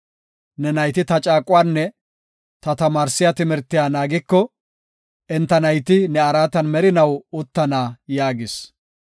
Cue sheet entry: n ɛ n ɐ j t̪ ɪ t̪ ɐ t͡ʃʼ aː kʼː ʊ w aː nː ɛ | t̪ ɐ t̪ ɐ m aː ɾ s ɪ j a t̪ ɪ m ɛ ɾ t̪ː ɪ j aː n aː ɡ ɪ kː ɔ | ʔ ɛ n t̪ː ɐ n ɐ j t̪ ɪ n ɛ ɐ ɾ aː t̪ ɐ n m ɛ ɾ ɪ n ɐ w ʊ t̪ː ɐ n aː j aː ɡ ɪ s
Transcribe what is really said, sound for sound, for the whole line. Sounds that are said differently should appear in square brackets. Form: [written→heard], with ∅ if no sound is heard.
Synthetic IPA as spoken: n ɛ n ɐ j t̪ ɪ t̪ ɐ t͡ʃʼ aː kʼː ʊ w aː nː ɛ | t̪ ɐ t̪ ɐ m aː ɾ s ɪ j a t̪ ɪ m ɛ ɾ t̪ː ɪ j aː n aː ɡ ɪ kː ɔ | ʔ ɛ n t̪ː ɐ n ɐ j t̪ ɪ n ɛ ɐ ɾ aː t̪ ɐ n m ɛ ɾ ɪ n ɐ w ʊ t̪ː ɐ n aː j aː ɡ ɪ s